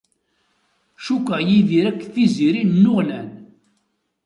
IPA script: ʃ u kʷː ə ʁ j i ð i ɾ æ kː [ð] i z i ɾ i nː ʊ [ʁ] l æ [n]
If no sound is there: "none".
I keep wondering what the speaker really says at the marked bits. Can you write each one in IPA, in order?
θ, ʁ, n

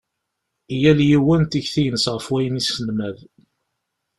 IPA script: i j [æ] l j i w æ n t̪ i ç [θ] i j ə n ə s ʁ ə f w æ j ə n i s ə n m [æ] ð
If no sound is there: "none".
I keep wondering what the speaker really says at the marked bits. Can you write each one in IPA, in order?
æ, θ, æ

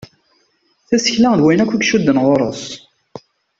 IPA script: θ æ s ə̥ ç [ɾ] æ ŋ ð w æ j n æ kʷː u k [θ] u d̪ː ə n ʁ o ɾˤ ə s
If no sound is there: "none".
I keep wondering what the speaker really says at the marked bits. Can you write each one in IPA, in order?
l, ʃ

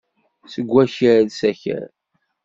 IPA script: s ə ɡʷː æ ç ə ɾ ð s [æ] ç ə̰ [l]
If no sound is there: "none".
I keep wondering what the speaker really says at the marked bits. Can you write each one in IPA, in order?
æ, ɾ

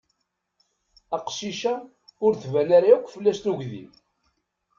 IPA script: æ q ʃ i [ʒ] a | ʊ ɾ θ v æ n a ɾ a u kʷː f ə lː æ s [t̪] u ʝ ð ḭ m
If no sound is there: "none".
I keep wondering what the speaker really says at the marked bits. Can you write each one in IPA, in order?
ʃ, t̪

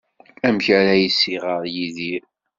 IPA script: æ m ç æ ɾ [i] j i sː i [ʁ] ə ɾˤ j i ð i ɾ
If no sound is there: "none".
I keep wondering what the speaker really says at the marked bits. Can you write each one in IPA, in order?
æ, ʁ

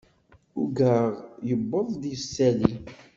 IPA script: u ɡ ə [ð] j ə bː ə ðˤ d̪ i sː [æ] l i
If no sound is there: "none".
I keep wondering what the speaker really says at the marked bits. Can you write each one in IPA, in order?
ʁ, æ

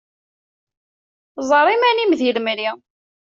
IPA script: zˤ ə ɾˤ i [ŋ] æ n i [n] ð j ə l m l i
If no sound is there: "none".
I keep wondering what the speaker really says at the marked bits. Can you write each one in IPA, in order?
m, m

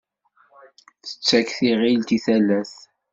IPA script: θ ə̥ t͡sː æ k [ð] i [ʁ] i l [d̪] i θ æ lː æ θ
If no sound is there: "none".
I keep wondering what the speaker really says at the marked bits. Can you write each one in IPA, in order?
θ, ʁ, t̪

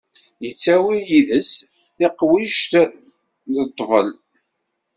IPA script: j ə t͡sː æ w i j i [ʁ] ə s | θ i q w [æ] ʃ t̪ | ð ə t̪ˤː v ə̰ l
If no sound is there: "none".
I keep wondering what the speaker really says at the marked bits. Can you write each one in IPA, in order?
ð, i

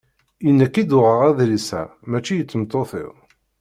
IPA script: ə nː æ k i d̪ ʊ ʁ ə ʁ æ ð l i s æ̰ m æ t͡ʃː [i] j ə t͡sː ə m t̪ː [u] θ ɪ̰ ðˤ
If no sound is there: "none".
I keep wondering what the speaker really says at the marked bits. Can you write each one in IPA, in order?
i, o

